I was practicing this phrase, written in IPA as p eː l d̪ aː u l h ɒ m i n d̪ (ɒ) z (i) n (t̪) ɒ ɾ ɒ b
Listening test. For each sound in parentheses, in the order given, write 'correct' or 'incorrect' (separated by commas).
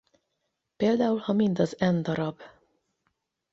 correct, incorrect, incorrect